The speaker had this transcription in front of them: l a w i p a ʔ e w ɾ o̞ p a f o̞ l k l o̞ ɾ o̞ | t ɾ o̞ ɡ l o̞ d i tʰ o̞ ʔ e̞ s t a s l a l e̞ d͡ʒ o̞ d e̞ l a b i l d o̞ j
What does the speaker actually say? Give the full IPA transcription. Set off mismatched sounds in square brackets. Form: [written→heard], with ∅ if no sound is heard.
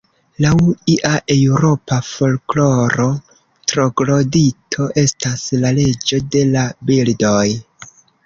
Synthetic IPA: l a w i [p→ʔ] a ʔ e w ɾ o̞ p a f o̞ l k l o̞ ɾ o̞ | t ɾ o̞ ɡ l o̞ d i tʰ o̞ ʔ e̞ s t a s l a l e̞ d͡ʒ o̞ d e̞ l a b i l d o̞ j